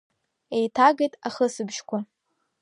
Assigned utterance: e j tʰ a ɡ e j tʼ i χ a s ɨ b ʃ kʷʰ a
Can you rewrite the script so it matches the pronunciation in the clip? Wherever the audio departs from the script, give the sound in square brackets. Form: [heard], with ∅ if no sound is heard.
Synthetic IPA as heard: e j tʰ a ɡ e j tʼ [a] χ [ə] s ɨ b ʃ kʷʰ a